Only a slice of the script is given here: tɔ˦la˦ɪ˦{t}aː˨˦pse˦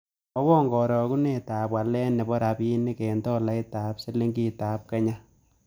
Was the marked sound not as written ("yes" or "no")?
no